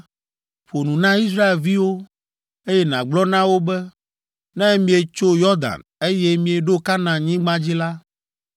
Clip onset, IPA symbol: ɸ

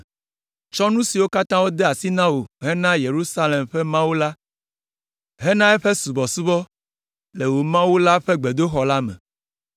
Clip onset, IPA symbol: t͡ʃ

